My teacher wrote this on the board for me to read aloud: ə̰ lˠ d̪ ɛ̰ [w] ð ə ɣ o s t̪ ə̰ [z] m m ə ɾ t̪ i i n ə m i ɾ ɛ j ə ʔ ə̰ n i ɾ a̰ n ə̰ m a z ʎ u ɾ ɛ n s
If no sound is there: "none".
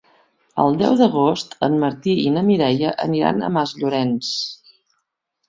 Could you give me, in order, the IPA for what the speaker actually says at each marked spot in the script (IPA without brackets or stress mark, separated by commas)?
w, none